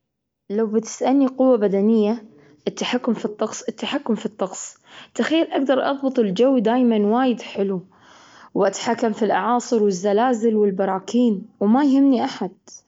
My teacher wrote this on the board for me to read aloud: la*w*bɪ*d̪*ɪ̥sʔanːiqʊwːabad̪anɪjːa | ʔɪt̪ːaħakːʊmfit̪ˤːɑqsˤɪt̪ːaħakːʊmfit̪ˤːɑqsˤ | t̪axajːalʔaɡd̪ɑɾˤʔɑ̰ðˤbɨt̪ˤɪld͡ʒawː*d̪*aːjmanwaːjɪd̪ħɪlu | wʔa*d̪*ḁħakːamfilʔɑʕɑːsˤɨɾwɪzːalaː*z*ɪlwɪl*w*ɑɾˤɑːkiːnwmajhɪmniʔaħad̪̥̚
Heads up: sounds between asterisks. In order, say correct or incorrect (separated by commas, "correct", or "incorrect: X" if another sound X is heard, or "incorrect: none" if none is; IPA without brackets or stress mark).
correct, incorrect: t̪, correct, incorrect: t̪, correct, incorrect: b